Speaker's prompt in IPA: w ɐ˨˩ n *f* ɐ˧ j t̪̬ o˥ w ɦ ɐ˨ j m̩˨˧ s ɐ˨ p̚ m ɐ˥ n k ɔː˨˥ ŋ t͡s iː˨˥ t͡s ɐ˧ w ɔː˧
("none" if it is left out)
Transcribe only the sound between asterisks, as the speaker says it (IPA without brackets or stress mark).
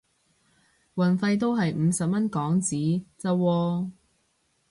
f